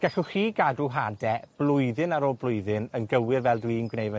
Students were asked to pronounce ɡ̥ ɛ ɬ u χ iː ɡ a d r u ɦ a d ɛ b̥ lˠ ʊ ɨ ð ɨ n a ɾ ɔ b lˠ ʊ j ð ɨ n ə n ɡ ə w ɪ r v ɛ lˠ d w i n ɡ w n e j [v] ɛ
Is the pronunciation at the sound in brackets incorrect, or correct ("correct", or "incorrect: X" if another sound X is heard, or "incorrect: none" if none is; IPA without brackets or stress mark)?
correct